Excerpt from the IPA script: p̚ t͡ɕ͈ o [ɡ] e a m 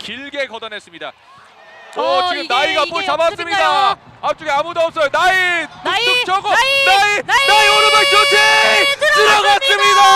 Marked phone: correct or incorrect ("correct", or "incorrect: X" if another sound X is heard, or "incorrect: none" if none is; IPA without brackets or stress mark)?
correct